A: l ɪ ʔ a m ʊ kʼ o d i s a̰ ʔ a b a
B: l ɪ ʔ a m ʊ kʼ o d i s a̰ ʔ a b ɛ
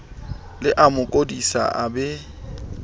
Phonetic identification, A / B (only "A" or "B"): B